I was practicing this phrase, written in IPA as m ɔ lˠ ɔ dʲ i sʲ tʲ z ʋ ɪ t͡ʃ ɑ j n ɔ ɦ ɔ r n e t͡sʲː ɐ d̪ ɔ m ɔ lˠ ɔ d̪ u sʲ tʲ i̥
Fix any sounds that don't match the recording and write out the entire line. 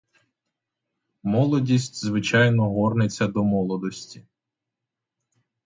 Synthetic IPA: m ɔ lˠ ɔ dʲ i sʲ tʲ z ʋ ɪ t͡ʃ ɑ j n ɔ ɦ ɔ r n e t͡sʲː ɐ d̪ ɔ m ɔ lˠ ɔ d̪ ɔ sʲ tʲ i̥